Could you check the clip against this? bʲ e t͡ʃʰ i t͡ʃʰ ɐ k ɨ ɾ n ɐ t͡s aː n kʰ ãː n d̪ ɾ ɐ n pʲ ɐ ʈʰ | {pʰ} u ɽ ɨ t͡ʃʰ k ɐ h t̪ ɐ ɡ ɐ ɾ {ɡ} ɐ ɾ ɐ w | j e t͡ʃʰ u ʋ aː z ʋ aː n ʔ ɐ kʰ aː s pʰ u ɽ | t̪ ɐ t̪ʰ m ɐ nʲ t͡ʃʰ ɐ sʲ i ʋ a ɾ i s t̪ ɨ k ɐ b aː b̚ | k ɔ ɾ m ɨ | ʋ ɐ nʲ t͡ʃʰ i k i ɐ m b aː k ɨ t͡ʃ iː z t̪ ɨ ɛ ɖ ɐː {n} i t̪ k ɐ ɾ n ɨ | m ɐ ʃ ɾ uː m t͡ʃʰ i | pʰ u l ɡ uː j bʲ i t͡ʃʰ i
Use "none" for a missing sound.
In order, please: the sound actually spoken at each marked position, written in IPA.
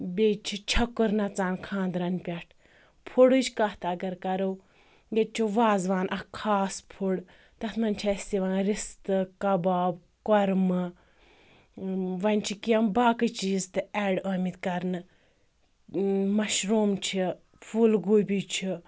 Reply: pʰ, k, m

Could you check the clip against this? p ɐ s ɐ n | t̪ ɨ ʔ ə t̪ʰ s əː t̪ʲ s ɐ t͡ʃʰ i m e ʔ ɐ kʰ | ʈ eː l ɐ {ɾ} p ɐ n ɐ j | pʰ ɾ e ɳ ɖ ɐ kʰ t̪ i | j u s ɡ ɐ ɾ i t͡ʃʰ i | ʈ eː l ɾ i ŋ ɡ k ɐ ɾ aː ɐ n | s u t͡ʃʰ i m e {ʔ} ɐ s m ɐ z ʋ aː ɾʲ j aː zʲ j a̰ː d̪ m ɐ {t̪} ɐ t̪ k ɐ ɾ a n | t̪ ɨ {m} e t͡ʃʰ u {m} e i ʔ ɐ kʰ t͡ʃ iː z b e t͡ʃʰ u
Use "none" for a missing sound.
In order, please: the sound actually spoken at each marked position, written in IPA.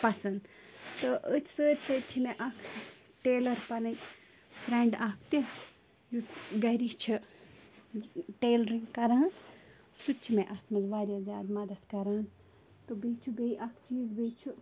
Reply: ɾ, ʔ, d̪, b, b

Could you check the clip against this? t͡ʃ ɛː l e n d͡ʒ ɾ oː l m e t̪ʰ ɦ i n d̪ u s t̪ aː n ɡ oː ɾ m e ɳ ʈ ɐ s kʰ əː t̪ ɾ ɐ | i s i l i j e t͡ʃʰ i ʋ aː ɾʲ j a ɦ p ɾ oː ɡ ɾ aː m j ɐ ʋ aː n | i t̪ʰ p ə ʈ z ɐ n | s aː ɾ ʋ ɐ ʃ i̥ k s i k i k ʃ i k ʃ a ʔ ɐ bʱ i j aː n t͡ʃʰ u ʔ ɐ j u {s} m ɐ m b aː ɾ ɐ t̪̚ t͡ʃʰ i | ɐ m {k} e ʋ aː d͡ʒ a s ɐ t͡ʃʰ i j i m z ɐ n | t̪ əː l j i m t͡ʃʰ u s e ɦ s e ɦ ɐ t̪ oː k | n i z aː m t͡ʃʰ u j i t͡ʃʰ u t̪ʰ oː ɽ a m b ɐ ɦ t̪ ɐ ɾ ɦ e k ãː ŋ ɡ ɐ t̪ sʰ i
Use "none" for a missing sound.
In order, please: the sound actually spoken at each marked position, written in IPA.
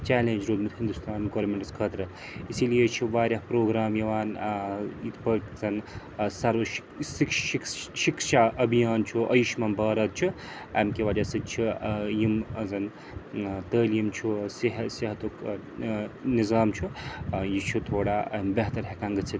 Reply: ʃ, k

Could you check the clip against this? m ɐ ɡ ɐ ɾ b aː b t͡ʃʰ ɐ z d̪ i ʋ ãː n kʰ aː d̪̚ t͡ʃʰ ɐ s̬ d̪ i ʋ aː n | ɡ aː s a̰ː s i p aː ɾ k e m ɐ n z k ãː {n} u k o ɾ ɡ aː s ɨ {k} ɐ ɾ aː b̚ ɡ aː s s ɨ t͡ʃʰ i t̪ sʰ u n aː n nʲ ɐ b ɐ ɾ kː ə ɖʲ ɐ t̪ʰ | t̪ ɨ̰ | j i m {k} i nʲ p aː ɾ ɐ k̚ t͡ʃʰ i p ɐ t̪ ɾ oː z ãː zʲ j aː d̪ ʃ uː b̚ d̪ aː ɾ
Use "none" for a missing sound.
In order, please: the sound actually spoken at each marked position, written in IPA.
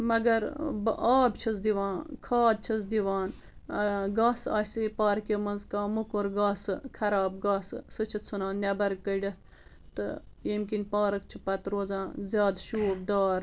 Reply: m, kʰ, k

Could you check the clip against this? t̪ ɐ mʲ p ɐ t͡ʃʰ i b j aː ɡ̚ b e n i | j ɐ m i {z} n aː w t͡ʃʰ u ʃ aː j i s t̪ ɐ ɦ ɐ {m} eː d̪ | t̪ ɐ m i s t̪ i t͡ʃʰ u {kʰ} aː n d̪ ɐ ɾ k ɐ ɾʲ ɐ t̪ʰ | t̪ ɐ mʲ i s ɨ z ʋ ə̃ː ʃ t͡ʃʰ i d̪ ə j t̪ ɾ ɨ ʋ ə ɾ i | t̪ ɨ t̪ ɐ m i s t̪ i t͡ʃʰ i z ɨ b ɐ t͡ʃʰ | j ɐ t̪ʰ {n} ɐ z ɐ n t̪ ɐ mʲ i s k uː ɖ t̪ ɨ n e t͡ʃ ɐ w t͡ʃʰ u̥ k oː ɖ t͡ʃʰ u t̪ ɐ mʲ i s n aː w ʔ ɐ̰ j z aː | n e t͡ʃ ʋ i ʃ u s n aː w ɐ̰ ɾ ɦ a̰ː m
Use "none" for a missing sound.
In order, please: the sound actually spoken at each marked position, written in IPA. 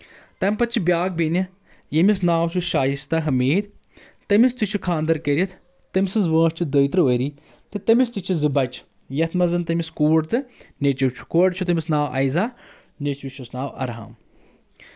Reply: s, m, kʰ, m

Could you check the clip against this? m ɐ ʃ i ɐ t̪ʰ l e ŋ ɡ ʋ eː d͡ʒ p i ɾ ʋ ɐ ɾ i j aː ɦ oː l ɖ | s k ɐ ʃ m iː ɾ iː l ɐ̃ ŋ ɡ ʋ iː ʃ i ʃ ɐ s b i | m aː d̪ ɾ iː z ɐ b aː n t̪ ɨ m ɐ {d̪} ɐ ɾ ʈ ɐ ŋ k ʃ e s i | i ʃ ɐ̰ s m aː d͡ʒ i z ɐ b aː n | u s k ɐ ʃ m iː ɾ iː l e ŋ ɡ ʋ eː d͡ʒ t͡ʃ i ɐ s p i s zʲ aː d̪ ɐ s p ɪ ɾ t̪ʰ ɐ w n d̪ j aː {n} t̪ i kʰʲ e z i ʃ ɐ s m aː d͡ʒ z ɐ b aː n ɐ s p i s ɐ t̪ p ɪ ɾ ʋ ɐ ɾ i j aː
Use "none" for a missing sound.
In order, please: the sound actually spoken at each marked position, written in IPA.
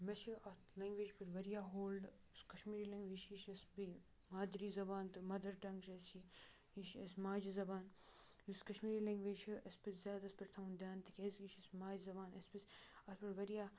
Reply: d̪, n

